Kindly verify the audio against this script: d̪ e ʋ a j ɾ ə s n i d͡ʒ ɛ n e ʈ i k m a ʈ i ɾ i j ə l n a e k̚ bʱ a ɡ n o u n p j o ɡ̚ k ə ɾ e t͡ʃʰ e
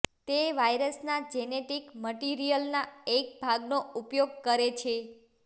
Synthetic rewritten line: t̪ e ʋ a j ɾ ə s n a d͡ʒ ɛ n e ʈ i k m ə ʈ i ɾ i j ə l n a e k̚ bʱ a ɡ n o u p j o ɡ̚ k ə ɾ e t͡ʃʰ e